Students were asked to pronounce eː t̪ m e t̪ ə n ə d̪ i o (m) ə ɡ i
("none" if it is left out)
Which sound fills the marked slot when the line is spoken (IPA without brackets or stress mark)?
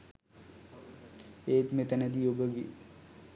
b